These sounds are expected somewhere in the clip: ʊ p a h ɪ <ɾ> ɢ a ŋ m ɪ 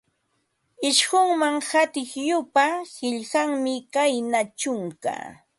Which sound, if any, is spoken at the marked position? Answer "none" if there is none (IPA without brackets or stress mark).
ʎ